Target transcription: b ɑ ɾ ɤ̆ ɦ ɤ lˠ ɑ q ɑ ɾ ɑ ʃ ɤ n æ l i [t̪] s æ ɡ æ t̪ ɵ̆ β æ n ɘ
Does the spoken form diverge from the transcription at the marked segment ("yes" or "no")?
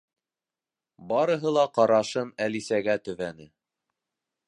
yes